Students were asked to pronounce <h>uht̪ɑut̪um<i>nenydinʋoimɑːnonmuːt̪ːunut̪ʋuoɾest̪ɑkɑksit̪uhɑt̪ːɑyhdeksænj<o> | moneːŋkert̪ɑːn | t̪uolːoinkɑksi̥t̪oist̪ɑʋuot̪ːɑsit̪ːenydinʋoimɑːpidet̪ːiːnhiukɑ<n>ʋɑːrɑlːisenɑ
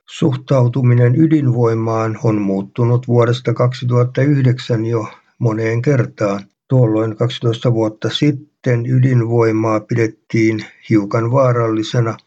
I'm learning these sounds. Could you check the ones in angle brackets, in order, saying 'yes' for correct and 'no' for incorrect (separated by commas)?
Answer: no, yes, yes, yes